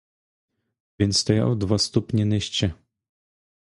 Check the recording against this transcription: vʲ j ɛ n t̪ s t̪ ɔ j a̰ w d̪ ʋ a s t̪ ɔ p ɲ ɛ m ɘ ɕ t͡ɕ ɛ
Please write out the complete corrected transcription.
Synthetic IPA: vʲ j ɛ n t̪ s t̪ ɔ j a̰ w d̪ v a s t̪ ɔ p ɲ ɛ n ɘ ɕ t͡ɕ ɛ